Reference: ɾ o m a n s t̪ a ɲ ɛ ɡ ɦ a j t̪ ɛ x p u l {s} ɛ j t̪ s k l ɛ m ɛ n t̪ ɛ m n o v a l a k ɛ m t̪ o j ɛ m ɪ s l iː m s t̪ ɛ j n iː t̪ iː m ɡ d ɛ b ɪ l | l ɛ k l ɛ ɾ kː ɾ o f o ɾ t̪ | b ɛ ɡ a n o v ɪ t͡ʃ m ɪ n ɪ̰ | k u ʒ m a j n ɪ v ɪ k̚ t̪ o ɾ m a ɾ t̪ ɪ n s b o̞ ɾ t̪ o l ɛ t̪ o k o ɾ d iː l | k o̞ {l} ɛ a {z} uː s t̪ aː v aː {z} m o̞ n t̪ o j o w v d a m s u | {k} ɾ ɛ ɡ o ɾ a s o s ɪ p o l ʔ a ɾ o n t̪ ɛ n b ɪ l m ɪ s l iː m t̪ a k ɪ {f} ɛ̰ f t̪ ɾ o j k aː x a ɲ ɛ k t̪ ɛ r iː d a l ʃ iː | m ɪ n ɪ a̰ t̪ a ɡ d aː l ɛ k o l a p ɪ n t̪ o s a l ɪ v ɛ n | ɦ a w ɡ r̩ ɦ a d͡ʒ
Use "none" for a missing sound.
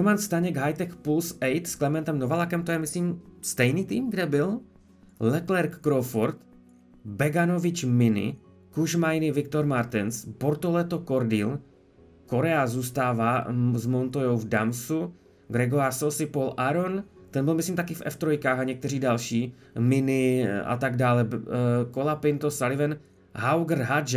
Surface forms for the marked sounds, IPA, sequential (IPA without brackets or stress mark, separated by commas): s, ɾ, z, z, ɡ, f